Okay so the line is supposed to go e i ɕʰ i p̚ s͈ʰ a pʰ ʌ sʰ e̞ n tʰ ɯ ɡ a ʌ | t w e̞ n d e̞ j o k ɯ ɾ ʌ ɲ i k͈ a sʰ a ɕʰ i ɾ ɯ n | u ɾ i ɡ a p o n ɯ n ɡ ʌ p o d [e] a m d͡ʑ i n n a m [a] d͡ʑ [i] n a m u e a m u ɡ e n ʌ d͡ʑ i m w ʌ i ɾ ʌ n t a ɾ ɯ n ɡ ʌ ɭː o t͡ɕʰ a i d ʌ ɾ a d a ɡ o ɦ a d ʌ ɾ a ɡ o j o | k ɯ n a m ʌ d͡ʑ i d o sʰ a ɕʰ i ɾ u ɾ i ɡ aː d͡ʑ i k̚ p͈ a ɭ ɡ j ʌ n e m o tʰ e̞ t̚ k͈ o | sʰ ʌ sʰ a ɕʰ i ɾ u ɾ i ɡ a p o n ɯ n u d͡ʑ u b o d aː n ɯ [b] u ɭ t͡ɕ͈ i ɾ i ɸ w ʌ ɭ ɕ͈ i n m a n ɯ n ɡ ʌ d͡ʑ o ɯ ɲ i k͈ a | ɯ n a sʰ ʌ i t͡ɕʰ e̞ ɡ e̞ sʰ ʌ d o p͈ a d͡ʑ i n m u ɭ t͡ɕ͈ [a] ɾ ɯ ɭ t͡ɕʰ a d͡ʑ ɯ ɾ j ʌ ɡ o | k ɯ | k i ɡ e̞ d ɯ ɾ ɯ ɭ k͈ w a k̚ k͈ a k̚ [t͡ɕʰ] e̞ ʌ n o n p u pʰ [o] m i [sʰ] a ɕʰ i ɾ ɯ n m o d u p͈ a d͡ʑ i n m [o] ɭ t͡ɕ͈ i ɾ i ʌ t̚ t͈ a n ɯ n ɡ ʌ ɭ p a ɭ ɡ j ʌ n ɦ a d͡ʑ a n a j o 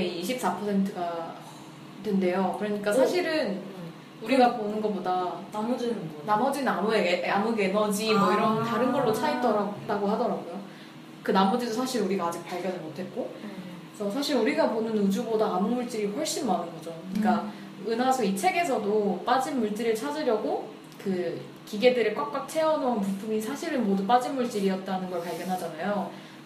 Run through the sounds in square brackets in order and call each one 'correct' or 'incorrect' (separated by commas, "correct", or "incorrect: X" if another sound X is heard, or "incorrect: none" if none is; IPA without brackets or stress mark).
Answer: incorrect: a, incorrect: ʌ, correct, incorrect: m, incorrect: i, correct, incorrect: u, correct, incorrect: u